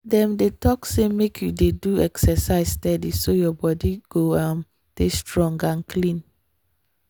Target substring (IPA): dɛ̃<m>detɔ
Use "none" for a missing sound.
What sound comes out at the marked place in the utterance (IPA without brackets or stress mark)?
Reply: m